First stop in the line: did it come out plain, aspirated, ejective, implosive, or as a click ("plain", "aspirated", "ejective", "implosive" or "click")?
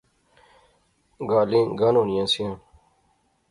plain